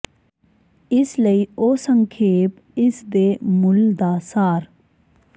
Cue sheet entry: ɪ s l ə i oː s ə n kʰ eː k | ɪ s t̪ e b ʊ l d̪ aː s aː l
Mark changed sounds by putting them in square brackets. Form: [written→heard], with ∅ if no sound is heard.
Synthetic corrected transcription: ɪ s l ə i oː s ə [n→ŋ] kʰ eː [k→p] | ɪ s [t̪→d̪] e [b→m] ʊ l d̪ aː s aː [l→ɾ]